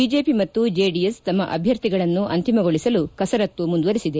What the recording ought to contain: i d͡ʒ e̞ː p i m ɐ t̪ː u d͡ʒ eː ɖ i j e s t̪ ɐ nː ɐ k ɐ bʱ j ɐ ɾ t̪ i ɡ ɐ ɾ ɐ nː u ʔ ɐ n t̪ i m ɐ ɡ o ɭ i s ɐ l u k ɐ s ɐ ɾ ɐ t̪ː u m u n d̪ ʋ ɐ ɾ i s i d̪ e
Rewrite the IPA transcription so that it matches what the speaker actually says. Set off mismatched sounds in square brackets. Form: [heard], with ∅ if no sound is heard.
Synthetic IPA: i d͡ʒ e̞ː p i m ɐ t̪ː u d͡ʒ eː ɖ i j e s t̪ ɐ [mː] ɐ [ʔ] ɐ bʱ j ɐ ɾ t̪ i ɡ ɐ [ɭ] ɐ nː u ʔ ɐ n t̪ i m ɐ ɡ o ɭ i s ɐ l u k ɐ s ɐ ɾ ɐ t̪ː u m u n d̪ ʋ ɐ ɾ i s i d̪ e